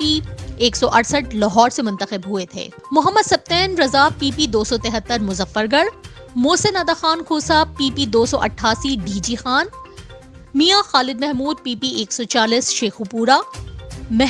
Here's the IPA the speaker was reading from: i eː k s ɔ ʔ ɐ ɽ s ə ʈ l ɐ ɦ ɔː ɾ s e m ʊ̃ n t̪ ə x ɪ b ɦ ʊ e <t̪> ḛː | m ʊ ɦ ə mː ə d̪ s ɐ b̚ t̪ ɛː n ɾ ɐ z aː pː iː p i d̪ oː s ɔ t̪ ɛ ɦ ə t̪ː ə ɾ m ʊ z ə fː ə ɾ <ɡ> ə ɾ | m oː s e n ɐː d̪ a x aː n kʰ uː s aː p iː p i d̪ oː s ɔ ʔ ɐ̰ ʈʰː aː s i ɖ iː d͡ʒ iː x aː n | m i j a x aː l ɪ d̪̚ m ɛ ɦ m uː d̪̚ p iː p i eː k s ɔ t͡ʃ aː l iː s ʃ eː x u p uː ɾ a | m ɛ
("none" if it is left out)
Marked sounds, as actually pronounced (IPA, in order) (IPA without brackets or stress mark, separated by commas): t̪ʰ, ɡ